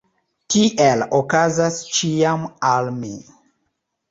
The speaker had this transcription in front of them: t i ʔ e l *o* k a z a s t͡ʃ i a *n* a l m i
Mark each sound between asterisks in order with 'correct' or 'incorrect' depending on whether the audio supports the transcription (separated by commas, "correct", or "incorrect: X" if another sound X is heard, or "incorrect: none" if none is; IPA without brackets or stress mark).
correct, incorrect: m